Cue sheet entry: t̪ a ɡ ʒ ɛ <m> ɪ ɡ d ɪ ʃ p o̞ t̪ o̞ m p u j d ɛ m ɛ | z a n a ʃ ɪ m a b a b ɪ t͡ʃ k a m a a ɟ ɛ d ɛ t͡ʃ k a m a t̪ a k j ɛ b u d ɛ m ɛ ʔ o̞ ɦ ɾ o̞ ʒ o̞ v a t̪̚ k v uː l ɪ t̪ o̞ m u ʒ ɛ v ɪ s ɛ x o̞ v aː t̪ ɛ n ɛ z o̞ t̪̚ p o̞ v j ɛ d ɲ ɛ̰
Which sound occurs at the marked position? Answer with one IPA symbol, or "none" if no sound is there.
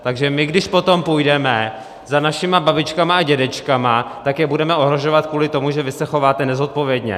m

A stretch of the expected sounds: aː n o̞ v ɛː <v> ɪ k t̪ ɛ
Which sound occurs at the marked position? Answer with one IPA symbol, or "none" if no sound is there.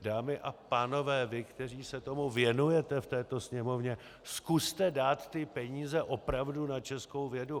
v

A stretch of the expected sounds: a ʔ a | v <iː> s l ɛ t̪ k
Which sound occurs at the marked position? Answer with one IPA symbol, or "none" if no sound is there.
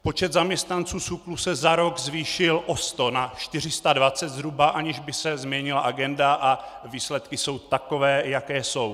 iː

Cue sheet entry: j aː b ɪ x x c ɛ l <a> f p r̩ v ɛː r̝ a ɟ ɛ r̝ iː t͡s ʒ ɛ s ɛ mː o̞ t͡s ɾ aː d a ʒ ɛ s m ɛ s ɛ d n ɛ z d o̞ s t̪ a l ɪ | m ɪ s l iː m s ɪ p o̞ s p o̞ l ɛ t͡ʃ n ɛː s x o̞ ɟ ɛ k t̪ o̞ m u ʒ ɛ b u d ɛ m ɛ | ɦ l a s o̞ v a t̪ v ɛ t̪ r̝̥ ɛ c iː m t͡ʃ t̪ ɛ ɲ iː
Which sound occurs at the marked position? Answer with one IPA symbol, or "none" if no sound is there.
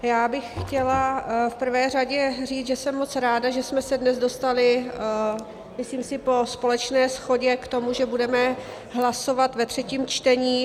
a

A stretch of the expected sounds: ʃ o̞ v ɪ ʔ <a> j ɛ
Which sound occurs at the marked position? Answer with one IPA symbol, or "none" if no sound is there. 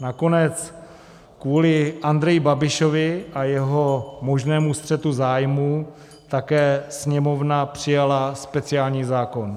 a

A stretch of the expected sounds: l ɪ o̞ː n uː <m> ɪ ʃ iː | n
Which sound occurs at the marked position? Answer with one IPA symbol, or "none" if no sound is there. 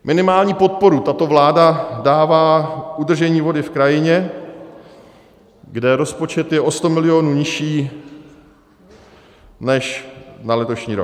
ɲ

